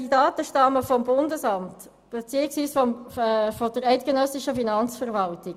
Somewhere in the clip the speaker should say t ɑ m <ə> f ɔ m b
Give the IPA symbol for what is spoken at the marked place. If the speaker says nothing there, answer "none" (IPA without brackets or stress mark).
ə